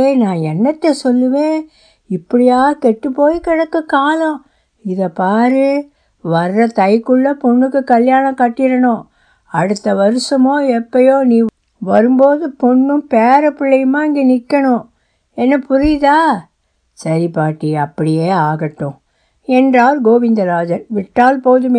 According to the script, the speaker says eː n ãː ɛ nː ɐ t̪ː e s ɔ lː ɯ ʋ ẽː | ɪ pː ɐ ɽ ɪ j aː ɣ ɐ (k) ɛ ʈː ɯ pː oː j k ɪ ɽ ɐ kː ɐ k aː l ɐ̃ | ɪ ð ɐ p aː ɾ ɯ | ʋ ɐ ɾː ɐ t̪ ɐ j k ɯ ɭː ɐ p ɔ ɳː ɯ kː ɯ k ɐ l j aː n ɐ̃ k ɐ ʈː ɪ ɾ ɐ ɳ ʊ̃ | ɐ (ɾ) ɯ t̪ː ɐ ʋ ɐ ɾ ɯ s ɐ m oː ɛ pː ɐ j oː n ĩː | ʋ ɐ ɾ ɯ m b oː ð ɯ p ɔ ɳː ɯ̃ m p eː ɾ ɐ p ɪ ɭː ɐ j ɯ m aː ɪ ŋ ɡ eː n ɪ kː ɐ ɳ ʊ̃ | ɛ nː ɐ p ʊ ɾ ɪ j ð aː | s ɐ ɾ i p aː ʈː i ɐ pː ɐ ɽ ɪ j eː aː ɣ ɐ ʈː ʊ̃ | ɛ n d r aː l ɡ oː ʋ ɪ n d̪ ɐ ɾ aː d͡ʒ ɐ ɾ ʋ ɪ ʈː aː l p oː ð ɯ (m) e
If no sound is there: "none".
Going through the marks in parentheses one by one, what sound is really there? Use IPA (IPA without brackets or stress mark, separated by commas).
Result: k, ɽ, m